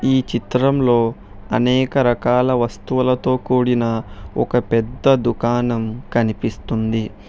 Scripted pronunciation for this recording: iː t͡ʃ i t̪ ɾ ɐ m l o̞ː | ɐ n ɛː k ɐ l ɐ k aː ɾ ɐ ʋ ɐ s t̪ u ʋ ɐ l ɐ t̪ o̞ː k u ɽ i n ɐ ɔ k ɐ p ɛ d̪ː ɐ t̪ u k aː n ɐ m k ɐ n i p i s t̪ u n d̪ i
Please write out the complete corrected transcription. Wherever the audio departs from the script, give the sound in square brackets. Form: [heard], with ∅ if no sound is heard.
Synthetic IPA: iː t͡ʃ i t̪ ɾ ɐ m l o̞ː | ɐ n ɛː k ɐ [ɾ] ɐ k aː [l] ɐ ʋ ɐ s t̪ u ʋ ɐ l ɐ t̪ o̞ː k [uː] ɽ i n ɐ ɔ k ɐ p ɛ d̪ː ɐ [d̪] u k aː n ɐ m k ɐ n i p i s t̪ u n d̪ i

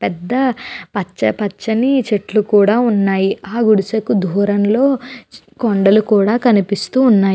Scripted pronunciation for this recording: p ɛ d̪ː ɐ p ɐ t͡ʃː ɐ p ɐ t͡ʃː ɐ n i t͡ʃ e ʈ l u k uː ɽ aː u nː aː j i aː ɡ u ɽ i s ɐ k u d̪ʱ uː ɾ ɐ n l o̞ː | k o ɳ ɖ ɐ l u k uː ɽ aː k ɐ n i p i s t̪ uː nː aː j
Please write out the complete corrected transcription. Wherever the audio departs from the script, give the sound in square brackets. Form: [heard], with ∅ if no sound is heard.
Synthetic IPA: p ɛ d̪ː ɐ p ɐ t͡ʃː ɐ p ɐ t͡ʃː ɐ n i t͡ʃ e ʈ l u k uː ɽ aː u nː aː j i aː ɡ u ɽ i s ɐ k u d̪ʱ uː ɾ ɐ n l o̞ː | k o ɳ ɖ ɐ l u k uː ɽ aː k ɐ n i p i s t̪ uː nː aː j

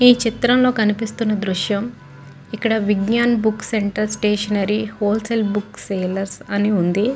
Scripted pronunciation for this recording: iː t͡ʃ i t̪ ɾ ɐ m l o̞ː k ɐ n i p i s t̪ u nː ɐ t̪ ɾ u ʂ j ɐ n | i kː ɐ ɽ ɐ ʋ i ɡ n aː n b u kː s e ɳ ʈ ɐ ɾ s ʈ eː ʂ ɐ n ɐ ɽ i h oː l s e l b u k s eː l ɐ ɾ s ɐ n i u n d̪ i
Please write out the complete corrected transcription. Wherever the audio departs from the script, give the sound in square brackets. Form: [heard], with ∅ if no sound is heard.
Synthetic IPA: iː t͡ʃ i t̪ ɾ ɐ m l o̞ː k ɐ n i p i s t̪ u nː ɐ [d̪] ɾ u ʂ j ɐ [m] | i kː ɐ ɽ ɐ ʋ i ɡ [ɲ] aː n b u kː s e ɳ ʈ ɐ ɾ s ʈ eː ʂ ɐ n ɐ [ɾ] i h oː l s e l b u k s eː l ɐ ɾ s ɐ n i u n d̪ i

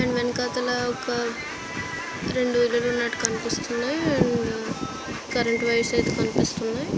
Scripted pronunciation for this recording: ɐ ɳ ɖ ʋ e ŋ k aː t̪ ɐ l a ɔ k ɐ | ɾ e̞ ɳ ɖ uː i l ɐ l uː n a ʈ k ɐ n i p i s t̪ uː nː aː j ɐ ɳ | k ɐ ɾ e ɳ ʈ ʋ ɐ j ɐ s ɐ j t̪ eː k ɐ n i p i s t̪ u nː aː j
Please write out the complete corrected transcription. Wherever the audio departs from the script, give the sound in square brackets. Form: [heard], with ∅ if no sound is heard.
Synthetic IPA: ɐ ɳ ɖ ʋ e [n] k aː t̪ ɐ l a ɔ k ɐ | ɾ e̞ ɳ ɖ [u] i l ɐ l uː n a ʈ k ɐ n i p i s t̪ [u] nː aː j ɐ ɳ | k ɐ ɾ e ɳ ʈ ʋ ɐ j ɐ s ɐ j t̪ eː k ɐ n i p i s t̪ u nː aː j

